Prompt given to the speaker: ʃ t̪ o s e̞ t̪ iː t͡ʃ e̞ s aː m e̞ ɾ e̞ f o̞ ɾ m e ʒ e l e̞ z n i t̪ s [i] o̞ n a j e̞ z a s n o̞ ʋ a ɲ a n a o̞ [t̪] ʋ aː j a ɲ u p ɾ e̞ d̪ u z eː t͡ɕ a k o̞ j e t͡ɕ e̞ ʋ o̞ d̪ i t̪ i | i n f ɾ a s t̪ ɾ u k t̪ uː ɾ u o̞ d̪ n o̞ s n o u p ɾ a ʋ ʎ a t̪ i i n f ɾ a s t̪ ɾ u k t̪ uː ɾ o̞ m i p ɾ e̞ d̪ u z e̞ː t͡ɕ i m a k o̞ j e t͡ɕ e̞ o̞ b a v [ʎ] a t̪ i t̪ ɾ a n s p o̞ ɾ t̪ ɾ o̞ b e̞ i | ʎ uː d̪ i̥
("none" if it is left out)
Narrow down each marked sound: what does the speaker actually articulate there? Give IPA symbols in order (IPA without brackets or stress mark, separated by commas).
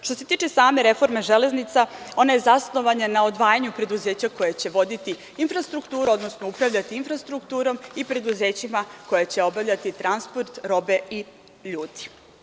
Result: a, d̪, ʎ